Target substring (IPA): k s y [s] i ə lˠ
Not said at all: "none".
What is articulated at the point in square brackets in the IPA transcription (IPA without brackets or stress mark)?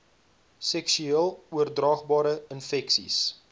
none